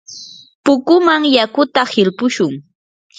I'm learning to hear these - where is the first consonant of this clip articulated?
lips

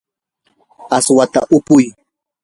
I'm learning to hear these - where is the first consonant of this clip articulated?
tongue tip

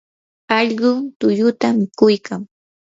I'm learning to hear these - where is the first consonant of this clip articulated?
palate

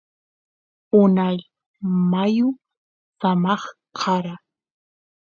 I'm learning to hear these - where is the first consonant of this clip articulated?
tongue tip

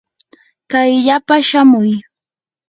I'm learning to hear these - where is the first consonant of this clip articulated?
velum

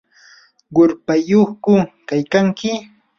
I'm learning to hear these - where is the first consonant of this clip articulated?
uvula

